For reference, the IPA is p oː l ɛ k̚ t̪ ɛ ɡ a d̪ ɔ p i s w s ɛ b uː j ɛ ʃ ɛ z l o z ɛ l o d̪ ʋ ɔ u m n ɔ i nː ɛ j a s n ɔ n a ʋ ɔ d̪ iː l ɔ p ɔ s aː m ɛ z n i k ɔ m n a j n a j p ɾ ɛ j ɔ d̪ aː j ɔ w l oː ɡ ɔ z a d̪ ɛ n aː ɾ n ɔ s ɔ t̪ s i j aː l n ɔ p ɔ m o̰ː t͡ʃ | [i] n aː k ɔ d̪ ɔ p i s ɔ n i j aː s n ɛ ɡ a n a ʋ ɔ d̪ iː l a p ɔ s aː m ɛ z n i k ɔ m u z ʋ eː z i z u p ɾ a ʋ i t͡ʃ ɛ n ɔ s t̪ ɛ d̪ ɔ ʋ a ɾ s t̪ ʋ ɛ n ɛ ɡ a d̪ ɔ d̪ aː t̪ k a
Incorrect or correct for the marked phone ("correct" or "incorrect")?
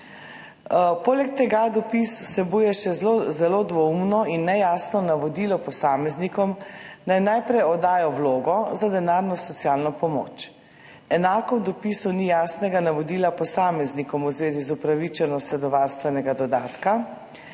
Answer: incorrect